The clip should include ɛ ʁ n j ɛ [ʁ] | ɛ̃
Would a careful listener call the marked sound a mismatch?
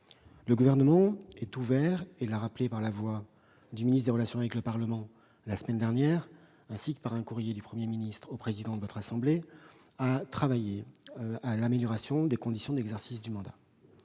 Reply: no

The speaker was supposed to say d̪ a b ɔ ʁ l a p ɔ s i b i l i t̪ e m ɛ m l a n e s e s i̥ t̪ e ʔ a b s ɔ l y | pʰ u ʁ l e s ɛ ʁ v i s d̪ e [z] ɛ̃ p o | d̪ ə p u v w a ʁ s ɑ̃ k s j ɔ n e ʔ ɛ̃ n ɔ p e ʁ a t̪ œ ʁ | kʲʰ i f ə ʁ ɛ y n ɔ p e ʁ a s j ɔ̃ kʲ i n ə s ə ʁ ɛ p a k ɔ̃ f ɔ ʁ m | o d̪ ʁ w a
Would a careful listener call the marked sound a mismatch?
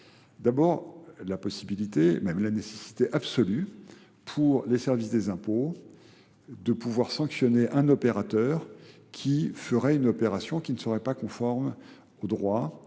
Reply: no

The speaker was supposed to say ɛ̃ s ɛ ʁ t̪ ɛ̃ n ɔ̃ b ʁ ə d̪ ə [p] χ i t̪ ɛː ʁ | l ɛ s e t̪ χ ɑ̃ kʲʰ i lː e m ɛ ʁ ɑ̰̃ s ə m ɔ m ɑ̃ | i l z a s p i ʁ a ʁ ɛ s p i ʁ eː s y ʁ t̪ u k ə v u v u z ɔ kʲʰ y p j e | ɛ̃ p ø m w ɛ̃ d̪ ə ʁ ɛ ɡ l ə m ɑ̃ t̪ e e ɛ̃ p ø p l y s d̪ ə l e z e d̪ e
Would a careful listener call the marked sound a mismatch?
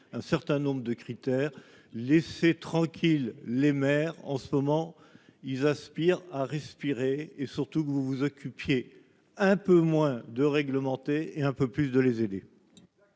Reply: yes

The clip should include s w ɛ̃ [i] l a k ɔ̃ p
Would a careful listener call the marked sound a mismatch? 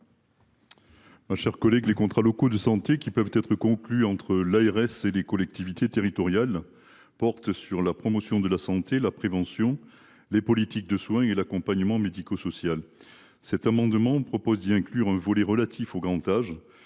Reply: yes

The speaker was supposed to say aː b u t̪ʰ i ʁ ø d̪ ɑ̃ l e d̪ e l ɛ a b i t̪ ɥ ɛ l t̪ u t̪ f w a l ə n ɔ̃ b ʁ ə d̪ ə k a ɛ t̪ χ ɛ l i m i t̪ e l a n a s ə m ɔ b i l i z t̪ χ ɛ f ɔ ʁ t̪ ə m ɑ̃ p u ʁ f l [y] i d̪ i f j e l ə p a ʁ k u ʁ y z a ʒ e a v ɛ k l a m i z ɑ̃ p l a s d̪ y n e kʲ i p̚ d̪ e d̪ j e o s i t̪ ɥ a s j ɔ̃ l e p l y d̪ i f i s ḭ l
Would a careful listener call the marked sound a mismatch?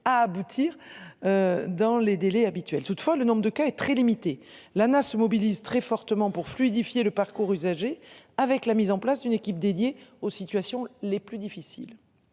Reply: no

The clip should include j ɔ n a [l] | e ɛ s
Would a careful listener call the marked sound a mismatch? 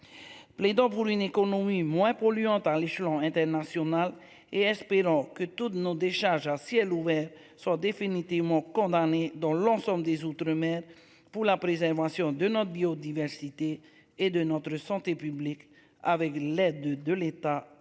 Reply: no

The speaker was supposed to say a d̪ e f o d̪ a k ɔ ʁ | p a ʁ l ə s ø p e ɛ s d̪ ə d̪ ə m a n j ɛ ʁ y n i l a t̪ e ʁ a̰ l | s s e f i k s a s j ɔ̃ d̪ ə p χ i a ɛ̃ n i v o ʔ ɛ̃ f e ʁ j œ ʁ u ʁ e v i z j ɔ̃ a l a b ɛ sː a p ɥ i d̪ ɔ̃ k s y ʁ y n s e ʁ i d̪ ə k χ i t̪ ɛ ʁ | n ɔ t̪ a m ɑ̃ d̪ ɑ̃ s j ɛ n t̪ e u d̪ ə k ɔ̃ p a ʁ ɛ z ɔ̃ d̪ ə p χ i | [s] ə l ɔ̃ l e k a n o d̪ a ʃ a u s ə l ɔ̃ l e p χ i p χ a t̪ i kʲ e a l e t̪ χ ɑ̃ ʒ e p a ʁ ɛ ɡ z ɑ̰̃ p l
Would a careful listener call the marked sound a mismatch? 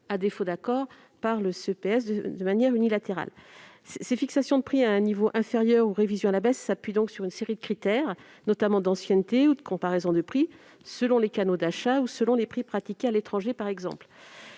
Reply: no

